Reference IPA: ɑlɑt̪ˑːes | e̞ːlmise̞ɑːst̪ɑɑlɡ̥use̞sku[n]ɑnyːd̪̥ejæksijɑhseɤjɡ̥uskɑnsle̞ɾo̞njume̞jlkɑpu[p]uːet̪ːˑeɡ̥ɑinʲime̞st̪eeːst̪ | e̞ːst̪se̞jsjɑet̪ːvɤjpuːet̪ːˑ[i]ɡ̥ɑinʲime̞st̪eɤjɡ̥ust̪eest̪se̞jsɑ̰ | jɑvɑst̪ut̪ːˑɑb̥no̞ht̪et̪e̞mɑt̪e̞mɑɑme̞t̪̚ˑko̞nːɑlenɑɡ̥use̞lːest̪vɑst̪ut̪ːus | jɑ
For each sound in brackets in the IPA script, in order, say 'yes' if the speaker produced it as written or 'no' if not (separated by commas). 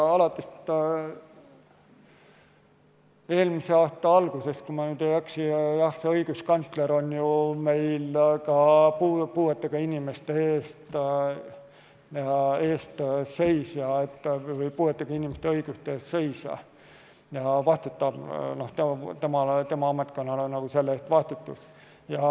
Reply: no, yes, no